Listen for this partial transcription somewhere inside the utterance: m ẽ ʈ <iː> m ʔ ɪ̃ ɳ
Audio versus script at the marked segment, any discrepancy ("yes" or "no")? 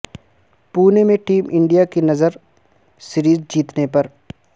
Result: no